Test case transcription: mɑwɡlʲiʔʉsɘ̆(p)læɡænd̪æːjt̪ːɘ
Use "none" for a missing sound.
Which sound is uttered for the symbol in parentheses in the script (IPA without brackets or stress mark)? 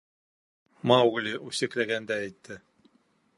k